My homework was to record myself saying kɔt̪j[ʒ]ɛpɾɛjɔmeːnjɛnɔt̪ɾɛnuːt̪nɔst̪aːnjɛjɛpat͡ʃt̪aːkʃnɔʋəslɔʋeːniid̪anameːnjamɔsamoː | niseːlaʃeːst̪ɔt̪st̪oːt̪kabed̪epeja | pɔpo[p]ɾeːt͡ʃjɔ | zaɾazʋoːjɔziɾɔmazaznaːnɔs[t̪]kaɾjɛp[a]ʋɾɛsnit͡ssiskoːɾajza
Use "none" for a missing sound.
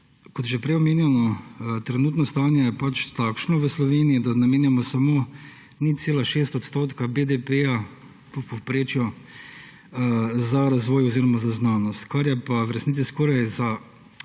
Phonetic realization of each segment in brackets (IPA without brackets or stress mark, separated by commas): ʒ, p, t̪, a